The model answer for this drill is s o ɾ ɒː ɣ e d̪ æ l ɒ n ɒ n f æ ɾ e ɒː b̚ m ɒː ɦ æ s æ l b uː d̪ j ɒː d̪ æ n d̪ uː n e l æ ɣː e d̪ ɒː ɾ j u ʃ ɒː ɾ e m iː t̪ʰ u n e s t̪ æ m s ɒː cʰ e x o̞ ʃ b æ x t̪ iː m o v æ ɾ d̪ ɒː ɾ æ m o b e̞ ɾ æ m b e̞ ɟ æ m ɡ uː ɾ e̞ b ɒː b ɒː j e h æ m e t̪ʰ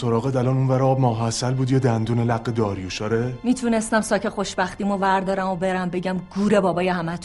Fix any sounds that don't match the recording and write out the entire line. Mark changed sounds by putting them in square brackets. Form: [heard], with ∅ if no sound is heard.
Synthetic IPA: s o ɾ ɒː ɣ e d̪ æ l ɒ n [u] n [v] æ ɾ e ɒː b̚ m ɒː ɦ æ s æ l b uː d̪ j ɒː d̪ æ n d̪ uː n e l æ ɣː e d̪ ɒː ɾ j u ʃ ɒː ɾ e m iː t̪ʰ u n e s t̪ æ m s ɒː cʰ e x o̞ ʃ b æ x t̪ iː m o v æ ɾ d̪ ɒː ɾ æ m o b e̞ ɾ æ m b e̞ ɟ æ m ɡ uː ɾ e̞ b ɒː b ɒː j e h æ m [æ] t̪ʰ